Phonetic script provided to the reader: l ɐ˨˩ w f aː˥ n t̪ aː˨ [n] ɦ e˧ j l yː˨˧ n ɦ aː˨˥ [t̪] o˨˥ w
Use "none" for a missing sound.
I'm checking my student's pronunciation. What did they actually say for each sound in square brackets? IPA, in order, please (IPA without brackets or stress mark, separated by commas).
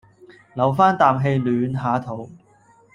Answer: m, t̪ʰ